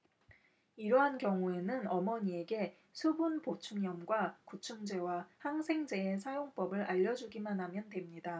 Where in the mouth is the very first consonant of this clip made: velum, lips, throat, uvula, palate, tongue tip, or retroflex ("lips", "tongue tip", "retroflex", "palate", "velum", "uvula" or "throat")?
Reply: tongue tip